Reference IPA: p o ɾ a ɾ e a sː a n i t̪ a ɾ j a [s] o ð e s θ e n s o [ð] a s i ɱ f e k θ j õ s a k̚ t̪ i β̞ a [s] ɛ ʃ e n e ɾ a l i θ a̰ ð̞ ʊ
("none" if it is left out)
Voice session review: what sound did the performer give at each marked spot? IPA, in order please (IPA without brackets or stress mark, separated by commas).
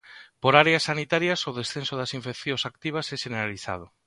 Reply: s, ð, s